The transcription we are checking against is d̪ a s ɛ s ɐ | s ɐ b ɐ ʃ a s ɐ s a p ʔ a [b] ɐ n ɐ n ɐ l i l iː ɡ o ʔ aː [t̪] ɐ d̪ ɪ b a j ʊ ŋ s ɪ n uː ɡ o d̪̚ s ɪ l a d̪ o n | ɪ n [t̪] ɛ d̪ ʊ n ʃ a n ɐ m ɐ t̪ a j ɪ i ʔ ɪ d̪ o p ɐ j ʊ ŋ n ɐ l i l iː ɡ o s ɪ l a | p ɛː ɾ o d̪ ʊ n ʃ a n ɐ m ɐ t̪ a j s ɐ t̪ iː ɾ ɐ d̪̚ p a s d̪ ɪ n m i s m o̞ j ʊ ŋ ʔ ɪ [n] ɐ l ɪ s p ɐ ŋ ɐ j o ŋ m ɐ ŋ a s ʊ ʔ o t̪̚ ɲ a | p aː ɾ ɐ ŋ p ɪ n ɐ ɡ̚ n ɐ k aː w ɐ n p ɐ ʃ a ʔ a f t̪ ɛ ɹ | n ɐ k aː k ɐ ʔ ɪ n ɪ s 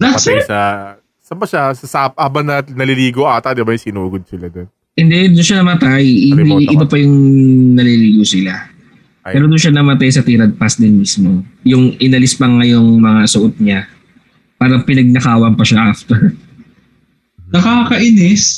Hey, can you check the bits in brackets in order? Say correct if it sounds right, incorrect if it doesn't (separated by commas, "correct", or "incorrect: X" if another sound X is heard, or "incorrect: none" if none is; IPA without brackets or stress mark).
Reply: correct, correct, incorrect: d̪, correct